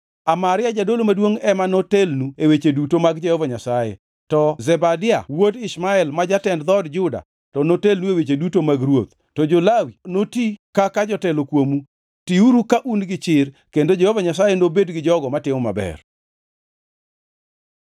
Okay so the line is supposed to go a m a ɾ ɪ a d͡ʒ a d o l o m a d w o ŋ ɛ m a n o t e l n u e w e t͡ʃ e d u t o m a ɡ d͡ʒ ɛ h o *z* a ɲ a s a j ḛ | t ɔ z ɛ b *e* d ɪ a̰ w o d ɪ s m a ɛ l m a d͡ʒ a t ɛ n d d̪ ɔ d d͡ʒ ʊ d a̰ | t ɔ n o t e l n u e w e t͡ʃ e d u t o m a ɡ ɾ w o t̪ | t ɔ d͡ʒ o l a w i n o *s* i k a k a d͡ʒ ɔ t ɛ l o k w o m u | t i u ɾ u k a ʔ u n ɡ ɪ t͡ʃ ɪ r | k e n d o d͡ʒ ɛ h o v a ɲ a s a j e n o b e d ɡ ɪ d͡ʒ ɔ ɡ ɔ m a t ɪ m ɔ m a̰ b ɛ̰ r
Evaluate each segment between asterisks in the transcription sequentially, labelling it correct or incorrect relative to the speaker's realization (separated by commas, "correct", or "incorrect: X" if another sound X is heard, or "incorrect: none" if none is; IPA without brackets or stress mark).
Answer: incorrect: v, incorrect: a, incorrect: t